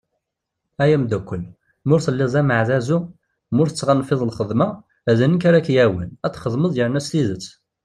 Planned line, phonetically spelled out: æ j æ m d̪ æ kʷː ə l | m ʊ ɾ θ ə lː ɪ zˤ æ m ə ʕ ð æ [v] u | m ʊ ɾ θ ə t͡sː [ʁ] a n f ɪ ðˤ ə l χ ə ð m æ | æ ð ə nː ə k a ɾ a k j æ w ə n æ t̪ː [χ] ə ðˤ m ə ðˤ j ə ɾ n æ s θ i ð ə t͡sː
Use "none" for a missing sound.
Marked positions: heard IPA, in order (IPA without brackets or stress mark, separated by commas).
z, ʁ, χ